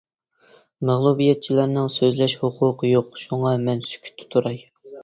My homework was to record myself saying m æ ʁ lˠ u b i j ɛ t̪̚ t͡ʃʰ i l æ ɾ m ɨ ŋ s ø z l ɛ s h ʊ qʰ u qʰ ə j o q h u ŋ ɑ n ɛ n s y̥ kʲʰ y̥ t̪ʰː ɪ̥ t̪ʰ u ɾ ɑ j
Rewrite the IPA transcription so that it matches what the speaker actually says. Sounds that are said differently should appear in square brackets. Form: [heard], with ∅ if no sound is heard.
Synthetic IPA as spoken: m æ ʁ lˠ u b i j ɛ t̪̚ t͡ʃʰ i l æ ɾ [n] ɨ ŋ s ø z l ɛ [ʃ] h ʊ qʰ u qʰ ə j o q [ʃ] u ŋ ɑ [m] ɛ n s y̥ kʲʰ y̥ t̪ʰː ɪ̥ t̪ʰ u ɾ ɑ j